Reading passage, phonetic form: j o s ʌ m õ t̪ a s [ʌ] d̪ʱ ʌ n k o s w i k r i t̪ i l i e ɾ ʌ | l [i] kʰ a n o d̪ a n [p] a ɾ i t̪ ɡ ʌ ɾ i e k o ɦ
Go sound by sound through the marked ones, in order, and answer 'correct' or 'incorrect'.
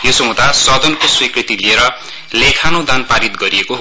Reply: correct, incorrect, correct

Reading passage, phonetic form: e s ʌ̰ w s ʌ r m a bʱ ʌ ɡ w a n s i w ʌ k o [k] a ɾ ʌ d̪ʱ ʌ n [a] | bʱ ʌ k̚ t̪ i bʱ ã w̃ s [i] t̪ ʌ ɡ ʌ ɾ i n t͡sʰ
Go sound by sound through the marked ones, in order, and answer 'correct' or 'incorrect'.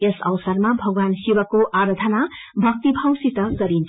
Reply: incorrect, correct, correct

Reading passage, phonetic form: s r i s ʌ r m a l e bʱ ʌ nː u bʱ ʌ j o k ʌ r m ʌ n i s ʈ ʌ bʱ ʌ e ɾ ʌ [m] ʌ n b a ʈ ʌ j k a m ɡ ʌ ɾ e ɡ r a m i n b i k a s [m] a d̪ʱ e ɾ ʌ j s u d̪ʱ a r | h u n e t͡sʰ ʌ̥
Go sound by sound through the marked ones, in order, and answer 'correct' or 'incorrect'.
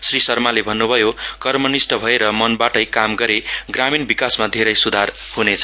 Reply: correct, correct

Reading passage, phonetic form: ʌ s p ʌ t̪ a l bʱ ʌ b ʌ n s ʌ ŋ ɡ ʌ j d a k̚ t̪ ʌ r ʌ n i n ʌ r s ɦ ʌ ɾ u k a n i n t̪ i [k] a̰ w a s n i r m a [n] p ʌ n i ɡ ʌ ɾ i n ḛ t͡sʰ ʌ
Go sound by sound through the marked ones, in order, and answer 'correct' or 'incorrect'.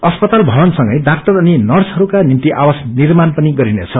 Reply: incorrect, correct

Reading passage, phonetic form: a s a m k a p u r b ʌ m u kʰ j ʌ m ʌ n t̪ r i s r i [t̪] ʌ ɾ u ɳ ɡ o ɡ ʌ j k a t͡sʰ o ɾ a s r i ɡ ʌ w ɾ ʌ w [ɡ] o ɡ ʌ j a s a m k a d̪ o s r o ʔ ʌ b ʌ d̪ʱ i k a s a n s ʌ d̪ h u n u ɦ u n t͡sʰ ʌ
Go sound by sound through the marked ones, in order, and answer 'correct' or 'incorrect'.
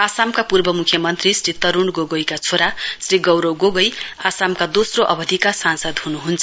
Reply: correct, correct

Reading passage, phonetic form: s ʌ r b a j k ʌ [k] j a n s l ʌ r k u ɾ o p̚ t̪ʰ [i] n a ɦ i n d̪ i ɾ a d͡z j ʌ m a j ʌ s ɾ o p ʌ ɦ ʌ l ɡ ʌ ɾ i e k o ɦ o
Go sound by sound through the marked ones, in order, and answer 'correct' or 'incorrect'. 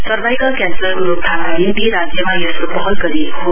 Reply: correct, incorrect

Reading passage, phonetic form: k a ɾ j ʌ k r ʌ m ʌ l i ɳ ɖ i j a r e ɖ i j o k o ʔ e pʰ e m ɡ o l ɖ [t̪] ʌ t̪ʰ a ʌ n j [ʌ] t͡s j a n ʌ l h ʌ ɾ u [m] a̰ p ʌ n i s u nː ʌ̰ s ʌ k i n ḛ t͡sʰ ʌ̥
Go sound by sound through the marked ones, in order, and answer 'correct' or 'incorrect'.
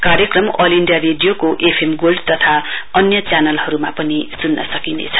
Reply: correct, correct, correct

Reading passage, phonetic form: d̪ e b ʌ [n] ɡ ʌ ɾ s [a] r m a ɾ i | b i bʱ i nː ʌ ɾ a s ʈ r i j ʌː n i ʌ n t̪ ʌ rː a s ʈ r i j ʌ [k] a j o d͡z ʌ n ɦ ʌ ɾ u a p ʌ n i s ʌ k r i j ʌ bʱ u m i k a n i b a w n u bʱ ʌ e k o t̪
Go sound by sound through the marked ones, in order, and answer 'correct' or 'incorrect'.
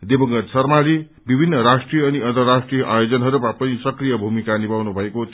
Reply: incorrect, incorrect, incorrect

